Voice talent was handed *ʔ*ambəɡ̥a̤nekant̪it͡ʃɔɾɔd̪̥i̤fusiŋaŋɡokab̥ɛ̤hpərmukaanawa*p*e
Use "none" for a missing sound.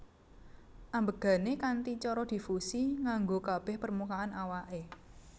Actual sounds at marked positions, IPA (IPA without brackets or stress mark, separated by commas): ʔ, ʔ